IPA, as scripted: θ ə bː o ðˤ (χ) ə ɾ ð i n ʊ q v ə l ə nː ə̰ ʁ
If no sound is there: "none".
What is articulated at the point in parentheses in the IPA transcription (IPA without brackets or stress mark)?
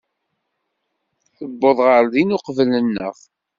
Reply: ʁ